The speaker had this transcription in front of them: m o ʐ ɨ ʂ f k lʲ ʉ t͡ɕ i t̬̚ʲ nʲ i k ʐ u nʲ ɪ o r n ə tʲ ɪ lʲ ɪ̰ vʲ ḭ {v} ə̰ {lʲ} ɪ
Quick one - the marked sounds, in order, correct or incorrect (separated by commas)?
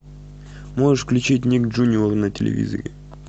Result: incorrect, incorrect